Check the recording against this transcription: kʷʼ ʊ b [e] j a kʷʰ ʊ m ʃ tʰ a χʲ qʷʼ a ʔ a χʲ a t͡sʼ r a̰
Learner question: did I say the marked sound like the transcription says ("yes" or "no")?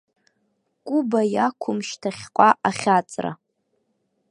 no